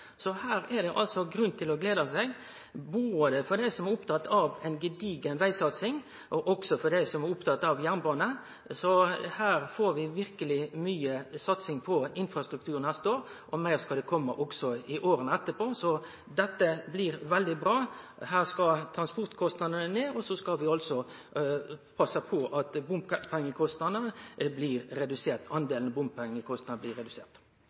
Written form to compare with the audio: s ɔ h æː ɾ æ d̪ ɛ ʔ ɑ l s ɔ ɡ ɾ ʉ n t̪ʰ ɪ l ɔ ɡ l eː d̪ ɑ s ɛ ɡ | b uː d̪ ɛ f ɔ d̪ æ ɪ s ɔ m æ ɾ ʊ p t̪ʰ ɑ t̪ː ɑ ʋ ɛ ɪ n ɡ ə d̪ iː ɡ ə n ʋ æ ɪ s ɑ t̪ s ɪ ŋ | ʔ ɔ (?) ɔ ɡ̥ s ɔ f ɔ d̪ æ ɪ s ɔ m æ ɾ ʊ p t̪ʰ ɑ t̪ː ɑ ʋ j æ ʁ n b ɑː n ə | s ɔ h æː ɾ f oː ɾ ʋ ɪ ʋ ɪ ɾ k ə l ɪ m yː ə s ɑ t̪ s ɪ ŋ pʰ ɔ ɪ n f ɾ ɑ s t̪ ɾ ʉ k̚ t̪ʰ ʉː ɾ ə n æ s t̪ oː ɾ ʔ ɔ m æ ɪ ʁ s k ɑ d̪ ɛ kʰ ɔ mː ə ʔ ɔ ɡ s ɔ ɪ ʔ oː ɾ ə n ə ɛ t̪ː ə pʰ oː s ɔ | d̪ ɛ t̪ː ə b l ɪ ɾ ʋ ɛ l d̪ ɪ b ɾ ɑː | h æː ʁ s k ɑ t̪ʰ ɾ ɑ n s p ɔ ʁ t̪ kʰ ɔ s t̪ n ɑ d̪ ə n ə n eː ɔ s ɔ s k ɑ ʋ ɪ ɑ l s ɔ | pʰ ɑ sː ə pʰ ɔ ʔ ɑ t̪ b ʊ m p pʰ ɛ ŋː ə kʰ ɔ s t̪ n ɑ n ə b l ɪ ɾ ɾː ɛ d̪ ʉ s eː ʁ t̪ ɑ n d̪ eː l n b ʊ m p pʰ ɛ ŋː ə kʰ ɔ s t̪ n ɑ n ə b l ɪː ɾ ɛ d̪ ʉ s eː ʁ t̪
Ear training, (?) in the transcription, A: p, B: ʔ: B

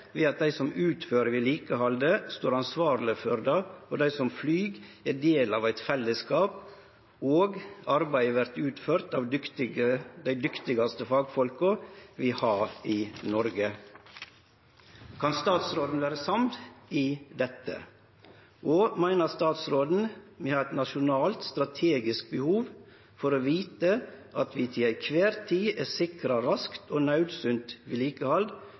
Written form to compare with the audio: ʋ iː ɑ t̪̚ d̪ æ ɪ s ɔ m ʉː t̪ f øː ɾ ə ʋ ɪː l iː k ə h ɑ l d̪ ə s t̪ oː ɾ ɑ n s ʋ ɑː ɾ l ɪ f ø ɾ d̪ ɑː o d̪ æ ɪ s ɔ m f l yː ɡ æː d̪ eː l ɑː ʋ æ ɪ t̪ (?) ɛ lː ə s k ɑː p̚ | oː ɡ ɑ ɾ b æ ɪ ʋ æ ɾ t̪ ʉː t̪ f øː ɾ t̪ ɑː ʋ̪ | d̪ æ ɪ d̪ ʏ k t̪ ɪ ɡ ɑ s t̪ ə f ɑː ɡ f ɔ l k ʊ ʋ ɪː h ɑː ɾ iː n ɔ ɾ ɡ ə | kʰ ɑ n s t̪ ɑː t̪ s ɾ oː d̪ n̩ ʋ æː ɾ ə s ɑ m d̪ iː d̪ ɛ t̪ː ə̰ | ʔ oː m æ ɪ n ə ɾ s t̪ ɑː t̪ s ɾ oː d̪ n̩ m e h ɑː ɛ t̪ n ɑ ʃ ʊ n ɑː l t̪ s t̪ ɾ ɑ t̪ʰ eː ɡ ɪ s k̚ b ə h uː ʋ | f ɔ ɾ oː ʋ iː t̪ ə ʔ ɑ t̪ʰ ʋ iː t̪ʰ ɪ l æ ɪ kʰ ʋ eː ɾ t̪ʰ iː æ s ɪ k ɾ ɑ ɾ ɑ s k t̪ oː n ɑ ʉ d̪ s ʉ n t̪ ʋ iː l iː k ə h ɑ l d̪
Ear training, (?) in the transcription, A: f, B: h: A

